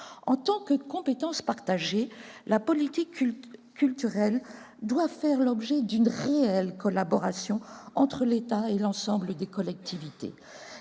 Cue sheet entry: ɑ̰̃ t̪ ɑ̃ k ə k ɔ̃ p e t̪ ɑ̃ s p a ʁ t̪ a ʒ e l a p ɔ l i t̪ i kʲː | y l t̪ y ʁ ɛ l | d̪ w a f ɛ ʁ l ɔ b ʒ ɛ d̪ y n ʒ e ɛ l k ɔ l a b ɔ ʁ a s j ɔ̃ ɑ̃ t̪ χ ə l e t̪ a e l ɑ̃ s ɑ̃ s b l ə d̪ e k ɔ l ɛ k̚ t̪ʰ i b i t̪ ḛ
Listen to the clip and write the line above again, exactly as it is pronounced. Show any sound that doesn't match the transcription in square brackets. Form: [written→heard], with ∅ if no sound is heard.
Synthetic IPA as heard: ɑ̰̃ t̪ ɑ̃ k ə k ɔ̃ p e t̪ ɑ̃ s p a ʁ t̪ a ʒ e l a p ɔ l i t̪ i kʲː | y l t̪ y ʁ ɛ l | d̪ w a f ɛ ʁ l ɔ b ʒ ɛ d̪ y n [ʒ→ʁ] e ɛ l k ɔ l a b ɔ ʁ a s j ɔ̃ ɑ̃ t̪ χ ə l e t̪ a e l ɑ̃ s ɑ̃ [s→∅] b l ə d̪ e k ɔ l ɛ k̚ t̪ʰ i [b→v] i t̪ ḛ